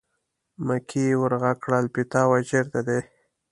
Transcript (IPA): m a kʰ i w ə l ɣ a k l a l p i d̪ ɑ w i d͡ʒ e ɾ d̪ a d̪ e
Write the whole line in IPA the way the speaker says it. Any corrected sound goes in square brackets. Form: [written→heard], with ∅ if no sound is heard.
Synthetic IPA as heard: m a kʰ i w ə [l→ɾ] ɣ a k [l→ɽ] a l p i [d̪→t̪] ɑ w [i→a] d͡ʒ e ɾ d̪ a d̪ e

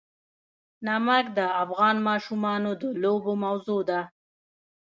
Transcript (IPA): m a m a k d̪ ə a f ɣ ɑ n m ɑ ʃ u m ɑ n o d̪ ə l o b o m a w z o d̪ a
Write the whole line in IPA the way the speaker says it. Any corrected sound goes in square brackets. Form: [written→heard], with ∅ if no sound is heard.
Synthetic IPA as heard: [m→n] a m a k d̪ ə a f ɣ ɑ n m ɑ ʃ u m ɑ n o d̪ ə l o b o m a w z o d̪ a

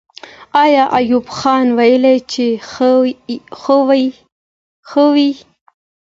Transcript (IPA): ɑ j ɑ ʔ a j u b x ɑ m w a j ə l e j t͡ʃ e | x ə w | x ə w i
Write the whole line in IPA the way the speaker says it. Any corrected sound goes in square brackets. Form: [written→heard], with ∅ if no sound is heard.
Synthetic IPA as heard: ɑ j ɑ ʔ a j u b x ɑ [m→n] w a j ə l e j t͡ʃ e | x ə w | x ə w i

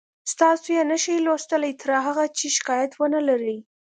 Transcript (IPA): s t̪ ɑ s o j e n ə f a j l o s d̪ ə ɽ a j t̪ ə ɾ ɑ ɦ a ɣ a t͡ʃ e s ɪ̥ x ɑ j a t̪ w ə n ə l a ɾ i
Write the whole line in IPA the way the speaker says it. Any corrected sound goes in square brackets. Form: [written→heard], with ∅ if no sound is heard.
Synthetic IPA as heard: s t̪ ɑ s o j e n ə [f→ʃ] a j l o s [d̪→t̪] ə [ɽ→l] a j t̪ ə ɾ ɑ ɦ a ɣ a t͡ʃ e [s→ʃ] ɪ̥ [x→k] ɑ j a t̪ w ə n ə l a ɾ i

